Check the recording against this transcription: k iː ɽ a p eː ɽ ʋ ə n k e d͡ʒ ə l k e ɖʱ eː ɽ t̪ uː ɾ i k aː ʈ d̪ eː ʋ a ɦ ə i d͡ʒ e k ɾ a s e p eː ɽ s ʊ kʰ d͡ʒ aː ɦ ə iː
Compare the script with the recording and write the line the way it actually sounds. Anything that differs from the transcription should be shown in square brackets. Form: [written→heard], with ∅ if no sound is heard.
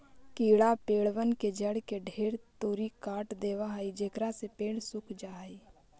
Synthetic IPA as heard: k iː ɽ a p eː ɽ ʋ ə n k e d͡ʒ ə [l→ɽ] k e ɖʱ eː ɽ t̪ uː ɾ i k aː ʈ d̪ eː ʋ a ɦ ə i d͡ʒ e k ɾ a s e p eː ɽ s ʊ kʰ d͡ʒ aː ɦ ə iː